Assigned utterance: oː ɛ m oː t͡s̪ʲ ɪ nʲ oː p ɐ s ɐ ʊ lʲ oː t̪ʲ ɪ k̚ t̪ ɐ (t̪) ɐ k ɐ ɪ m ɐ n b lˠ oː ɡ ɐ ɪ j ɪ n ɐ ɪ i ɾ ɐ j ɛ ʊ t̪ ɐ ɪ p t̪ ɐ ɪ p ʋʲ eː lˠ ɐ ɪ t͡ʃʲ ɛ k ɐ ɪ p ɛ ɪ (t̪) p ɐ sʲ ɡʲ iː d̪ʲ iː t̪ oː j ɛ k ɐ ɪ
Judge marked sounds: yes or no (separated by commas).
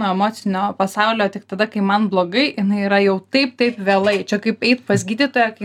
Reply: no, yes